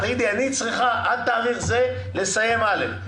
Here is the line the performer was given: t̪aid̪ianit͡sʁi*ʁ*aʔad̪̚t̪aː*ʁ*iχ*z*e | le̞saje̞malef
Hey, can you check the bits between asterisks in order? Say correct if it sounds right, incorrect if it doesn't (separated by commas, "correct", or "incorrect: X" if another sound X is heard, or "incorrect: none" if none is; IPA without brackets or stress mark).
incorrect: χ, correct, correct